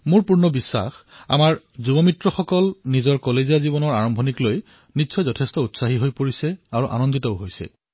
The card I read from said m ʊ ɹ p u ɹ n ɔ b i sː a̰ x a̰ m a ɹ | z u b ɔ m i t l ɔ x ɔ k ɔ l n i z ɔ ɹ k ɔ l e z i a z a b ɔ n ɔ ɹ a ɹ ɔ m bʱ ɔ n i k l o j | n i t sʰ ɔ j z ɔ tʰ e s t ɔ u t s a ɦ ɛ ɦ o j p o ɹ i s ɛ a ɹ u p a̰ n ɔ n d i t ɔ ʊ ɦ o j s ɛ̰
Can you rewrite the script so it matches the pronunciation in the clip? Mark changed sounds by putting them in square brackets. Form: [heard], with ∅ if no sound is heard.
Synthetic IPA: m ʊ ɹ p u ɹ n ɔ b i sː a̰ x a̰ m a ɹ | z u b ɔ m i t [ɹ] ɔ x ɔ k ɔ l n i z ɔ ɹ k ɔ l e z i a z [i] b ɔ n ɔ ɹ a ɹ ɔ m bʱ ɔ n i k l o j | n i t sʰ ɔ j z ɔ tʰ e s t ɔ u t s a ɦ [i] ɦ o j p o ɹ i s ɛ a ɹ u [ʔ] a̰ n ɔ n d i t ɔ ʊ ɦ o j s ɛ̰

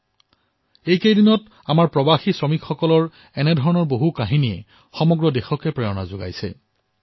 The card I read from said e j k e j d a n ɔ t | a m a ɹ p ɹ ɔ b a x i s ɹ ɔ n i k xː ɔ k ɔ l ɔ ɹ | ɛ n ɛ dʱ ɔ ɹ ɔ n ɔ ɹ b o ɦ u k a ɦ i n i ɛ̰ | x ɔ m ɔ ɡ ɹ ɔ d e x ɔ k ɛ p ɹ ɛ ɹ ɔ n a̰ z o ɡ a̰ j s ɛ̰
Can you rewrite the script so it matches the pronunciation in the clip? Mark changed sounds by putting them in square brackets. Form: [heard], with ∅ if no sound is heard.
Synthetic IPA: e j k e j d [i] n ɔ t | a m a ɹ p ɹ ɔ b a x i s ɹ ɔ [m] i k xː ɔ k ɔ l ɔ ɹ | ɛ n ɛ dʱ ɔ ɹ ɔ n ɔ ɹ b o ɦ u k a ɦ i n i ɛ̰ | x ɔ m ɔ ɡ ɹ ɔ d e x ɔ k ɛ p ɹ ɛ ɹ ɔ n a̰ z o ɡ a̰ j s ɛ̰

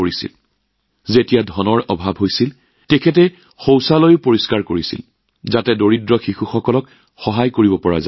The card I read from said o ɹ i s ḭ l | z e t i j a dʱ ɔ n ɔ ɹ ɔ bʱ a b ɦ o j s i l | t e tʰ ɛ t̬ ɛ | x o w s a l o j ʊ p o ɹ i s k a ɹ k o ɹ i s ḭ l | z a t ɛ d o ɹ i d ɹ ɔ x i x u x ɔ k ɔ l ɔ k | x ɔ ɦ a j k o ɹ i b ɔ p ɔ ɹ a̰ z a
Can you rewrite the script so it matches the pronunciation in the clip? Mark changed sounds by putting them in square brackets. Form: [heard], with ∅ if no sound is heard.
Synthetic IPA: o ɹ i s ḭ l | z e t i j a dʱ ɔ n ɔ ɹ ɔ bʱ a b ɦ o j s i l | t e [kʰ] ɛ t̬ ɛ | x o w s a l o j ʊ p o ɹ i s k a ɹ k o ɹ i s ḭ l | z a t ɛ d o ɹ i d ɹ ɔ x i x u x ɔ k ɔ l ɔ k | x ɔ ɦ a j k o ɹ i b ɔ p ɔ ɹ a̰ z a

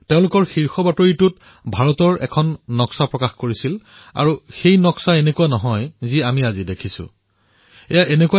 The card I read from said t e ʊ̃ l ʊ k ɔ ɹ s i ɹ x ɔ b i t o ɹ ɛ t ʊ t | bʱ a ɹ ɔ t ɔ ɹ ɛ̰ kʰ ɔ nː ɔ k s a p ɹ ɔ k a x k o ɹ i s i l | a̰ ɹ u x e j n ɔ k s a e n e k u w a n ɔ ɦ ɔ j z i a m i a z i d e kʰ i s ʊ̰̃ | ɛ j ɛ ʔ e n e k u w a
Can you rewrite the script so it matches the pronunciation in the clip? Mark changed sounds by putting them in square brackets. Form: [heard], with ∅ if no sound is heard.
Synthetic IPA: t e ʊ̃ l ʊ k ɔ ɹ [x] i ɹ x ɔ b [a] t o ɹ [i] t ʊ t | bʱ a ɹ ɔ t ɔ ɹ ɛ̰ kʰ ɔ nː ɔ k s a p ɹ ɔ k a x k o ɹ i s i l | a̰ ɹ u x e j n ɔ k s a e n e k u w a n ɔ ɦ ɔ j z i a m i a z i d e kʰ i s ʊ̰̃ | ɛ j [a] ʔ e n e k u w a

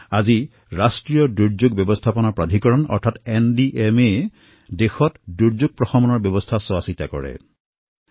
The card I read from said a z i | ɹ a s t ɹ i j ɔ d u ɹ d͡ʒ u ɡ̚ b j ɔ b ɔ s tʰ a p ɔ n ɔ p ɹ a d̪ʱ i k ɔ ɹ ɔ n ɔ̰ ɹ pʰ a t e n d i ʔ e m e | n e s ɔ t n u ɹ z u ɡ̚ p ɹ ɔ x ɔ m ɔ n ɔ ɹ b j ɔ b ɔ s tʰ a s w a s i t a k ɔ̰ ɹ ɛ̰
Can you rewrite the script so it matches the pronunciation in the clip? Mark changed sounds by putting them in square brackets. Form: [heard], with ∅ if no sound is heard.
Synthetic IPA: a z i | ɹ a s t ɹ i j ɔ d u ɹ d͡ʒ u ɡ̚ b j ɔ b ɔ s tʰ a p ɔ n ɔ p ɹ a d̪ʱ i k ɔ ɹ ɔ n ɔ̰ ɹ [tʰ] a t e n d i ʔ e m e | [d] e [x] ɔ t [d] u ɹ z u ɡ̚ p ɹ ɔ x ɔ m ɔ n ɔ ɹ b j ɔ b ɔ s tʰ a s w a s i t a k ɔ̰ ɹ ɛ̰

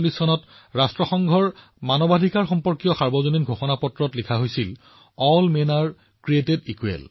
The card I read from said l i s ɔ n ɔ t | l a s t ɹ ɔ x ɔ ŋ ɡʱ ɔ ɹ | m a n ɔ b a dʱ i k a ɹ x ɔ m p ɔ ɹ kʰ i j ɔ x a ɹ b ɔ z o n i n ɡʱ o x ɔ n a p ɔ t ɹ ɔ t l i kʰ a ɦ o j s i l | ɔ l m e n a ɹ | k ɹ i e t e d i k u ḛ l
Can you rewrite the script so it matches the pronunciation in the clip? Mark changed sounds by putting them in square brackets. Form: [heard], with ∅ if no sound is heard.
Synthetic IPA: l i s ɔ n ɔ t | [ɹ] a s t ɹ ɔ x ɔ ŋ ɡʱ ɔ ɹ | m a n ɔ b a dʱ i k a ɹ x ɔ m p ɔ ɹ [k] i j ɔ x a ɹ b ɔ z o n i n ɡʱ o x ɔ n a p ɔ t ɹ ɔ t l i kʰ a ɦ o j s i l | ɔ l m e n a ɹ | k ɹ i e t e d i k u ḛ l

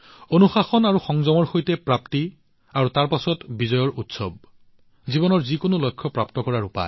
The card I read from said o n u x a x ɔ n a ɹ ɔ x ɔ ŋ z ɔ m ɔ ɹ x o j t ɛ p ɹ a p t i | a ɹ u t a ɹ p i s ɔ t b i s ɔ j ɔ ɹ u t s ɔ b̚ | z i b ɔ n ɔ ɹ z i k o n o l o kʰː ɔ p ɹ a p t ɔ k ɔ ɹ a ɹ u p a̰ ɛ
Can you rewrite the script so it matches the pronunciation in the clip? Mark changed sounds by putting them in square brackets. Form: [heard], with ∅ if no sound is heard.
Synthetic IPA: o n u x a x ɔ n a ɹ [u] x ɔ ŋ z ɔ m ɔ ɹ x o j t ɛ p ɹ a p t i | a ɹ u t a ɹ p [a] s ɔ t b i [z] ɔ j ɔ ɹ u t s ɔ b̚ | z i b ɔ n ɔ ɹ z i k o n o l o kʰː ɔ p ɹ a p t ɔ k ɔ ɹ a ɹ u p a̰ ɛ

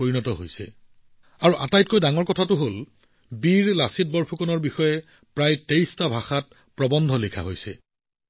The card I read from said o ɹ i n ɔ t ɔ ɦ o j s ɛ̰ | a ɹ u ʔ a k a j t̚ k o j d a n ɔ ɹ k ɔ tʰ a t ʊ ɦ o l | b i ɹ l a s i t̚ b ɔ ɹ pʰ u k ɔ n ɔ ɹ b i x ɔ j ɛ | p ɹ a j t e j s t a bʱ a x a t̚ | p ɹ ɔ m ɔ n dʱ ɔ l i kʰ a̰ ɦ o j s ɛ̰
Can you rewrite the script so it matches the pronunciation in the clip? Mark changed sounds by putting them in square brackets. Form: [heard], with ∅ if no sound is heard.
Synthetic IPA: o ɹ i n ɔ t ɔ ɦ o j s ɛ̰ | a ɹ u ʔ a [t] a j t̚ k o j d a [ŋ] ɔ ɹ k ɔ tʰ a t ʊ ɦ o l | b i ɹ l a s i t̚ b ɔ ɹ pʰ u k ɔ n ɔ ɹ b i x ɔ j ɛ | p ɹ a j t e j s t a bʱ a x a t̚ | p ɹ ɔ [b] ɔ n dʱ ɔ l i kʰ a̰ ɦ o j s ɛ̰

